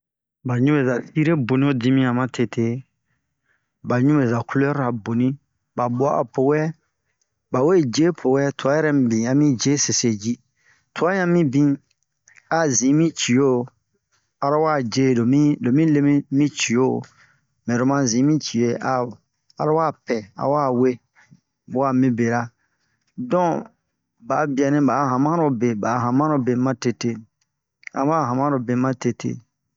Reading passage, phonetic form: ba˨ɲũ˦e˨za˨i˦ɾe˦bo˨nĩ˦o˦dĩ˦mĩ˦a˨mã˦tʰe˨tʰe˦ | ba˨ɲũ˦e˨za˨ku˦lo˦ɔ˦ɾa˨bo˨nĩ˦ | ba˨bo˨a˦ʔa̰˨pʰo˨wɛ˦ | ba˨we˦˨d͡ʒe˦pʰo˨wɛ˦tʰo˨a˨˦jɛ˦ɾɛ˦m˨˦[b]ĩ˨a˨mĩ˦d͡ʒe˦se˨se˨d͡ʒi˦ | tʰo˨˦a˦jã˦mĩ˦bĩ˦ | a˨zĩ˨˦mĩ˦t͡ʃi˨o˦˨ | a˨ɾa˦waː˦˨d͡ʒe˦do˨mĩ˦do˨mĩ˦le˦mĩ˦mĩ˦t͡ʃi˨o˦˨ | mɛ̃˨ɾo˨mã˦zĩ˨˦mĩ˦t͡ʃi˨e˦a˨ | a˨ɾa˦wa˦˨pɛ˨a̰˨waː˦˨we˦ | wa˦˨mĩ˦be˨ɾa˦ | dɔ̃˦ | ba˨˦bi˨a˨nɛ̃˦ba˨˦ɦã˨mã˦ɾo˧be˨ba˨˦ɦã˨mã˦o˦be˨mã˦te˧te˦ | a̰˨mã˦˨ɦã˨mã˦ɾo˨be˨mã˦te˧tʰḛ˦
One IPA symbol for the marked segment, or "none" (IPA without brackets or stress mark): b